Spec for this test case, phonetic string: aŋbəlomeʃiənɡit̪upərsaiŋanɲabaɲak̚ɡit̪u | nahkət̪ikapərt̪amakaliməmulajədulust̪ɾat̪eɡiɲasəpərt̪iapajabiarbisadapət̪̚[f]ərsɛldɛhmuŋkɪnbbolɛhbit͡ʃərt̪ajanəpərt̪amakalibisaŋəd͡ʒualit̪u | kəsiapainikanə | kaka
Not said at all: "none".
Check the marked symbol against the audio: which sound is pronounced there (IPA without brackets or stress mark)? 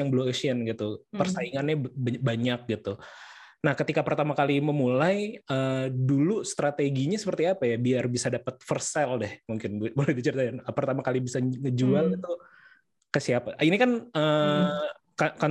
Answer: f